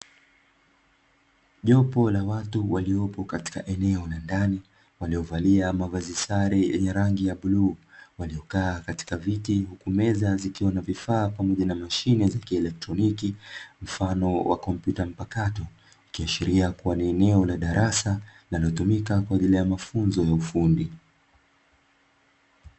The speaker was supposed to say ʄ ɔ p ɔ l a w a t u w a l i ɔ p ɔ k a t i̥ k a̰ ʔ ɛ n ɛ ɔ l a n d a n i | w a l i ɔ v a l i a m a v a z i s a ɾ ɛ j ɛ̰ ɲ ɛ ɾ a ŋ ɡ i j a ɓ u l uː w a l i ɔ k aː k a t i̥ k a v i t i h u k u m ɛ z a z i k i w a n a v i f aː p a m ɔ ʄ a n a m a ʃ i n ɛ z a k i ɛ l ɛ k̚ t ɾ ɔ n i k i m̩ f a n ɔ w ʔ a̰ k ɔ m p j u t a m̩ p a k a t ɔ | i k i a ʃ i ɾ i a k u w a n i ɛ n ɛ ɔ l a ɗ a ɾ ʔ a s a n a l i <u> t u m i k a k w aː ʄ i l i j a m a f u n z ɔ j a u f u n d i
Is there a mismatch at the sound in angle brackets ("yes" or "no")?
yes